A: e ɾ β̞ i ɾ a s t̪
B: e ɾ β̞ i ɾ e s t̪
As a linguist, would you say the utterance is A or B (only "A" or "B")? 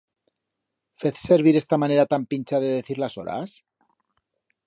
B